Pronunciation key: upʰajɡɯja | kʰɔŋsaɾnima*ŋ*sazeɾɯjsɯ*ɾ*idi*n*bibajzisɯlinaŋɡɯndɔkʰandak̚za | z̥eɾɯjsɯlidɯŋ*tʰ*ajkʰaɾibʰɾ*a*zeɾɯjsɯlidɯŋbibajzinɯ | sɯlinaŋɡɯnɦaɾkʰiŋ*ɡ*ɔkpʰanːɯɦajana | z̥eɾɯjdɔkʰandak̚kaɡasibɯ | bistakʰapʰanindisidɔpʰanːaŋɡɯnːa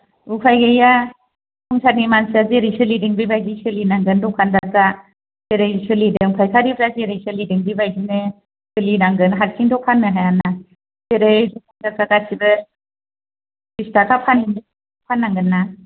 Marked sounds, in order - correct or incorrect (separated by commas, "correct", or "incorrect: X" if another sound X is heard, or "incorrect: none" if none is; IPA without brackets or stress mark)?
incorrect: n, incorrect: l, incorrect: ŋ, incorrect: pʰ, correct, incorrect: d